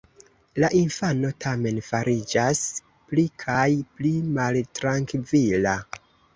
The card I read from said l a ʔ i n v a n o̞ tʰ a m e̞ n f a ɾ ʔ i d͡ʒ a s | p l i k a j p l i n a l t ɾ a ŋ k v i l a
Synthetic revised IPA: l a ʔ i n f a n o̞ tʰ a m e̞ n f a ɾ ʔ i d͡ʒ a s | p l i kʰ a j p l i m a l t ɾ a ŋ k v i l a